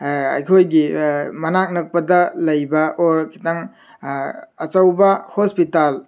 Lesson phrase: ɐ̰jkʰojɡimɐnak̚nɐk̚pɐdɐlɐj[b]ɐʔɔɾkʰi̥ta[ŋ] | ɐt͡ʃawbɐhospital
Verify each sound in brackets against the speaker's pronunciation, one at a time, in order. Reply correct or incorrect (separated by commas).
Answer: correct, correct